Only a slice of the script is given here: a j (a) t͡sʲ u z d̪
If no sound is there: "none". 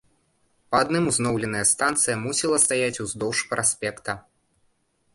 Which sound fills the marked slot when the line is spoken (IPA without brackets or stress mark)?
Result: a